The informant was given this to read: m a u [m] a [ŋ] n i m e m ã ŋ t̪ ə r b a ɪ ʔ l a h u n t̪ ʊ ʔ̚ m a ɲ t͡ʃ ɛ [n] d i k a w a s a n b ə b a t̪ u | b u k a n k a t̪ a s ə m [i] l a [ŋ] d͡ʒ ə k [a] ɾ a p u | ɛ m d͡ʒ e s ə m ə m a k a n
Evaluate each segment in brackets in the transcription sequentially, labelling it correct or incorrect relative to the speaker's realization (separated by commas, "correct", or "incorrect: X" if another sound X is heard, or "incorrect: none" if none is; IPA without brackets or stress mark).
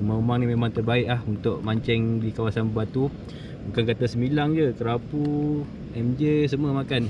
correct, correct, incorrect: ŋ, correct, correct, incorrect: ə